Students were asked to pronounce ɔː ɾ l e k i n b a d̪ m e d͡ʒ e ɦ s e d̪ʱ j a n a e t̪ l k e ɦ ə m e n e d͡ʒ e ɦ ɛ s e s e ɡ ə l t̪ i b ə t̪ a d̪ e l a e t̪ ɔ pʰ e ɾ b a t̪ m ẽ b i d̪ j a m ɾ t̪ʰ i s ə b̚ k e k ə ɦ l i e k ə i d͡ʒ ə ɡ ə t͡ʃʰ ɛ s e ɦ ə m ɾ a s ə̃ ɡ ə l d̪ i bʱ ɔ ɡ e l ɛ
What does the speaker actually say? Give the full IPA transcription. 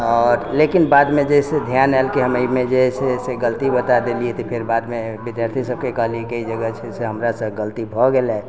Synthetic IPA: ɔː ɾ l e k i n b a d̪ m e d͡ʒ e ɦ s e d̪ʱ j a n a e l k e ɦ ə m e m e d͡ʒ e ɦ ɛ s e s e ɡ ə l t̪ i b ə t̪ a d̪ e l i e t̪ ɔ pʰ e ɾ b a d̪ m e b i d̪ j a ɾ t̪ʰ i s ə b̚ k e k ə ɦ l i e k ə i d͡ʒ ə ɡ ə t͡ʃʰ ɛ s e ɦ ə m ɾ a s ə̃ ɡ ə l t̪ i bʱ ɔ ɡ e l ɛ